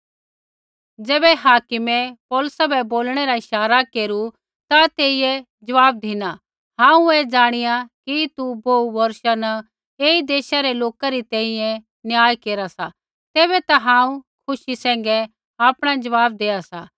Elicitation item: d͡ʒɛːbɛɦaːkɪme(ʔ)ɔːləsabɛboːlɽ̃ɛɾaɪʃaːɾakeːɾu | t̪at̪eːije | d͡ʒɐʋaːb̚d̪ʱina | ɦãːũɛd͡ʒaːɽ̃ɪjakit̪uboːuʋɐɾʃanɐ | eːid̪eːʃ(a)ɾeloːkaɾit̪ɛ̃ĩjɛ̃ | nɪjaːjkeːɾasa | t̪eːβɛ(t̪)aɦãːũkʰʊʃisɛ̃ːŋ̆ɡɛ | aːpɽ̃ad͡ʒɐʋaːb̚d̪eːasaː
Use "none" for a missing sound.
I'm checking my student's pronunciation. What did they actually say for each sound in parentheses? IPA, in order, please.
p, a, t̪

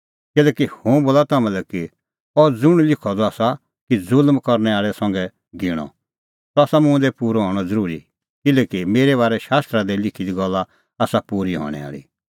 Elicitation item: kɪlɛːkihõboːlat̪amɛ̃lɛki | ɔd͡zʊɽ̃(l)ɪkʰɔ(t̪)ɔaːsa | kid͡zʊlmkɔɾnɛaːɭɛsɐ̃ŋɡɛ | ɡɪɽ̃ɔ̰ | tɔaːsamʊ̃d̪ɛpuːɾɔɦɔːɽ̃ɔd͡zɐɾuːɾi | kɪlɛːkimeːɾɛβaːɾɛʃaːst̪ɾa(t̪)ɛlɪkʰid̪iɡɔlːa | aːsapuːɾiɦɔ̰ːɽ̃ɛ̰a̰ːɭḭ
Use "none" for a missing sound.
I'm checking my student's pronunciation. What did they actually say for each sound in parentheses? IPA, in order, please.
l, d̪, d̪

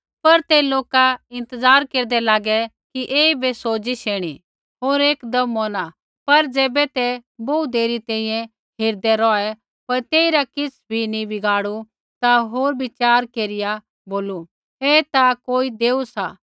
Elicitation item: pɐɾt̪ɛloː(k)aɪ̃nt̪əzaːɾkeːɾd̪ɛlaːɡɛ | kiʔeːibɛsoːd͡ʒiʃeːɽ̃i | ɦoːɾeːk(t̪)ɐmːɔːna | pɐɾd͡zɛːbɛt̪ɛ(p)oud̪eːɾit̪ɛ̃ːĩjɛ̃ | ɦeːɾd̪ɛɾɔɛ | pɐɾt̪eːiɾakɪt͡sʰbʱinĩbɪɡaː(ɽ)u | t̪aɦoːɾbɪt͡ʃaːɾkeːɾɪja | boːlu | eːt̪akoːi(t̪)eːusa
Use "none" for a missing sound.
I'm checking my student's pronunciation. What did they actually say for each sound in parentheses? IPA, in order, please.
k, d̪, b, ɽ, d̪

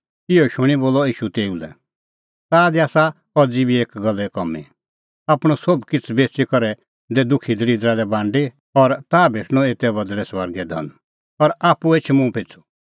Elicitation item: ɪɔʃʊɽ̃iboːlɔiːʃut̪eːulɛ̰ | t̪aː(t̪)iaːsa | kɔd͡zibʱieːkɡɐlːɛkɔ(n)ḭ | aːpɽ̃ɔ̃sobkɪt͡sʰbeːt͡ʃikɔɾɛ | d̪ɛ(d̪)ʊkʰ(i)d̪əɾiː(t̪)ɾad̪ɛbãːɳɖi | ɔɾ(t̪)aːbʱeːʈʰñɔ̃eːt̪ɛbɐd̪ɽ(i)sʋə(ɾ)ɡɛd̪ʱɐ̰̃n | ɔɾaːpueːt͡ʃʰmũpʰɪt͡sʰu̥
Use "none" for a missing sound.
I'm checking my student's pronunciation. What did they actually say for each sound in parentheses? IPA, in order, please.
d̪, m, d̪, i, d̪, t̪, ɛ, ɾ

